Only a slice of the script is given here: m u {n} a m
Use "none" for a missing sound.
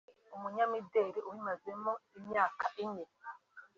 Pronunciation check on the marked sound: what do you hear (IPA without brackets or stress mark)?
ɲ